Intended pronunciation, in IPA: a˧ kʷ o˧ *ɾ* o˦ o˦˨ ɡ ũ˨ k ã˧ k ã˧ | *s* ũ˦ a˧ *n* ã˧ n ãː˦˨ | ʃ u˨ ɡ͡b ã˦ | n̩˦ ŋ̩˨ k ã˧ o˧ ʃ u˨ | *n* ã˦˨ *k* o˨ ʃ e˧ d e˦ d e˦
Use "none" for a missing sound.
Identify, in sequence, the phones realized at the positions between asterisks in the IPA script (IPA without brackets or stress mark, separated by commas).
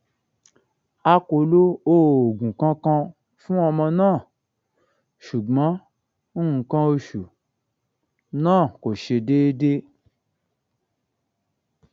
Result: l, f, m, n, k